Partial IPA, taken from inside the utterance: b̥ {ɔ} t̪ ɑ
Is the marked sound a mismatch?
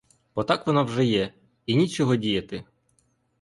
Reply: no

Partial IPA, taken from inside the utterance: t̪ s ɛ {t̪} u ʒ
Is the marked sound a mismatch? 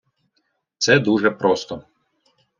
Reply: yes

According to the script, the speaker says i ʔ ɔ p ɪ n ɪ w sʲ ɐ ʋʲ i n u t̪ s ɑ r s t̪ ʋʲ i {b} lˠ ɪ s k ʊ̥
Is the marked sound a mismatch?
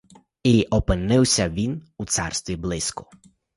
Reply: no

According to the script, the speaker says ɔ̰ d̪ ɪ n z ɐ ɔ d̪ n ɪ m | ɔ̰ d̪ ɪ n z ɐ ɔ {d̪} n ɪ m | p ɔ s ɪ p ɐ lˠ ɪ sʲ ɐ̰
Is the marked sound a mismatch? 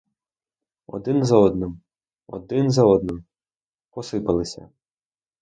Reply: no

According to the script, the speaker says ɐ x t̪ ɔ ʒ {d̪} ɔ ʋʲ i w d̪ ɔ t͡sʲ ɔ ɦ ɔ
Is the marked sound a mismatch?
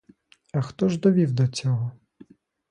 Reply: no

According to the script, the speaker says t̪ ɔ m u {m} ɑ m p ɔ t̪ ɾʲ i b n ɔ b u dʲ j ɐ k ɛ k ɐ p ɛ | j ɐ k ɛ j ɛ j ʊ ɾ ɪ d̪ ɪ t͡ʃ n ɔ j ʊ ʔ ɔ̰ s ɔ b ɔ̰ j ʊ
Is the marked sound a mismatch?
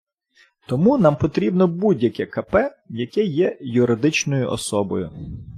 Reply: yes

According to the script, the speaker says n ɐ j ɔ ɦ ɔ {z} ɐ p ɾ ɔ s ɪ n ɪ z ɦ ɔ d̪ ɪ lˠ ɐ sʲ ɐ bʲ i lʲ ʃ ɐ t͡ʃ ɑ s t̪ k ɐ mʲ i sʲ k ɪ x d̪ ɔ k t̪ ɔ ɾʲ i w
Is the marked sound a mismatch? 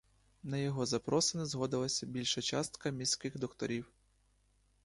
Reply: no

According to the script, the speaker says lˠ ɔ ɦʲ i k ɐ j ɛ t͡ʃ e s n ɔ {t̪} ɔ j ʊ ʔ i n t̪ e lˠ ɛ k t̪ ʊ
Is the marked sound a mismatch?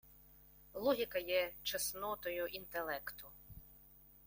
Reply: no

